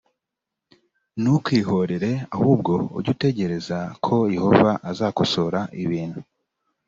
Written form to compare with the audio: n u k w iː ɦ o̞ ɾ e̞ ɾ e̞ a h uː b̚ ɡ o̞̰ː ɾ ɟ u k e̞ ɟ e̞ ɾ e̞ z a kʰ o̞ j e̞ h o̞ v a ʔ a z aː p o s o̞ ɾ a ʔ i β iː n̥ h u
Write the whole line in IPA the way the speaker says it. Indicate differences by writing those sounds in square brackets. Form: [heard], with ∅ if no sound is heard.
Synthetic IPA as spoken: n u k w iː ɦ o̞ ɾ e̞ ɾ e̞ a h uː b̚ ɡ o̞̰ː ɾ ɟ u [t] e̞ ɟ e̞ ɾ e̞ z a kʰ o̞ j e̞ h o̞ v a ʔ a z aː [k] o s o̞ ɾ a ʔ i β iː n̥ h u